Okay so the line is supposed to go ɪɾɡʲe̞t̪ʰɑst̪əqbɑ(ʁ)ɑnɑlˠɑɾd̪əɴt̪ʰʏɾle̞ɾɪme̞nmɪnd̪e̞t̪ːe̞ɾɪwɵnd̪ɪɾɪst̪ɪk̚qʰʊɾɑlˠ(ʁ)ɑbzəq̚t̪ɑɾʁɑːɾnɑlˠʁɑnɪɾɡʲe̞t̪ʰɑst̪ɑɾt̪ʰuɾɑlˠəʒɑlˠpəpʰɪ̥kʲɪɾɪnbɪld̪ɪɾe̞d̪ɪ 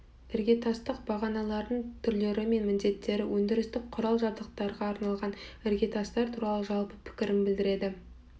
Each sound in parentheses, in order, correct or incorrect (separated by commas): correct, incorrect